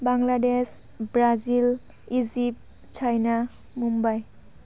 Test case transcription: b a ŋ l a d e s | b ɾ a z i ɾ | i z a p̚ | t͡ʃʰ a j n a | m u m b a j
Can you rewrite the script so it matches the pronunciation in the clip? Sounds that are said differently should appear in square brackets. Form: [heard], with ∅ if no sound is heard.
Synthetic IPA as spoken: b a ŋ l a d e s | b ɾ a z i [l] | i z [i] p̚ | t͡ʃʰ a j n a | m u m b a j